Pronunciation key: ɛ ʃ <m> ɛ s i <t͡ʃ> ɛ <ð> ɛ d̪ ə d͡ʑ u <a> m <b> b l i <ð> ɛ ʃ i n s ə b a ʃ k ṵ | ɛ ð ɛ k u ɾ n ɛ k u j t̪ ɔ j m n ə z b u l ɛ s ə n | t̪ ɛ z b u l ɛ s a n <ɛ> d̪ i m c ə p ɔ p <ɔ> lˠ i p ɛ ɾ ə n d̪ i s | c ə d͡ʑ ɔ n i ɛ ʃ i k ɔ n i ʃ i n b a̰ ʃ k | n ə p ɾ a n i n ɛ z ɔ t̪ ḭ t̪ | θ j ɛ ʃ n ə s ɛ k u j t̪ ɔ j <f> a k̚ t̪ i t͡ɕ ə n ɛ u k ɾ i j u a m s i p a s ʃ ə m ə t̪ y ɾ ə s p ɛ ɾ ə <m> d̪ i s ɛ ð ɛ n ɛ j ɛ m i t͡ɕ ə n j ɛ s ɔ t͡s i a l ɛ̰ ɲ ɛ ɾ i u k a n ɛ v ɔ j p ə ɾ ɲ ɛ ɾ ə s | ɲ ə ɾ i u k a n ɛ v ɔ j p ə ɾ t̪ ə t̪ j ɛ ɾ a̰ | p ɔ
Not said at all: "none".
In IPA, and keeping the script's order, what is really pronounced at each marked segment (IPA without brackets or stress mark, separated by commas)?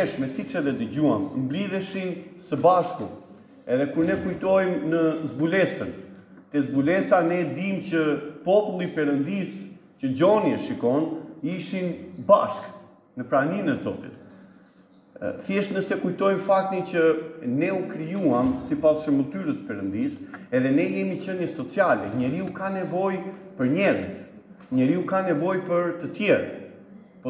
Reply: m, t͡ʃ, ð, a, m, ð, ɛ, u, f, n